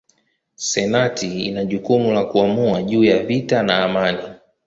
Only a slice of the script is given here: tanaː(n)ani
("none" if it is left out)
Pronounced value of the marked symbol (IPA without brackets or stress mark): m